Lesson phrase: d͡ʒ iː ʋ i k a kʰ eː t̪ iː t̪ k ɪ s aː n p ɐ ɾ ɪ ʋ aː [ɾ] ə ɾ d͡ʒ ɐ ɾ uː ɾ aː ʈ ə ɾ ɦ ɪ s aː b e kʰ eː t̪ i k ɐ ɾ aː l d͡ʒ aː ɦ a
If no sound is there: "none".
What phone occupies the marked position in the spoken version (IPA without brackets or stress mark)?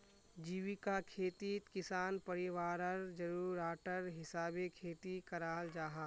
ɾ